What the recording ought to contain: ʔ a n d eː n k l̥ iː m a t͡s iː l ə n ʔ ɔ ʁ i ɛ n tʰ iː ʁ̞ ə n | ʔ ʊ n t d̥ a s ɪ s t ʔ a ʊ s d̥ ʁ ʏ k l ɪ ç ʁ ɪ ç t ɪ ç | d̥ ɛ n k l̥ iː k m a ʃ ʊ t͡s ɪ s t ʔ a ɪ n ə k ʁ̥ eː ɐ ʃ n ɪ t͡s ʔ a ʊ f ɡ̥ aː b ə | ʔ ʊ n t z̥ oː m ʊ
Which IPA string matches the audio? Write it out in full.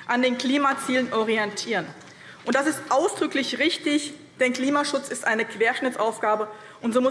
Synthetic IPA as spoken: ʔ a n d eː n k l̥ iː m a t͡s iː l ə n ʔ ɔ ʁ i ɛ n tʰ iː ʁ̞ ə n | ʔ ʊ n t d̥ a s ɪ s t ʔ a ʊ s d̥ ʁ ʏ k l ɪ ç ʁ ɪ ç t ɪ ç | d̥ ɛ n k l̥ iː m a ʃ ʊ t͡s ɪ s t ʔ a ɪ n ə k v̥ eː ɐ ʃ n ɪ t͡s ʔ a ʊ f ɡ̥ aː b ə | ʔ ʊ n t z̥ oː m ʊ